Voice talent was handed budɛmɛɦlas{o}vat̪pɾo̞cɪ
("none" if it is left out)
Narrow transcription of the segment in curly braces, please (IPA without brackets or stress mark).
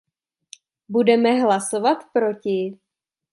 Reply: o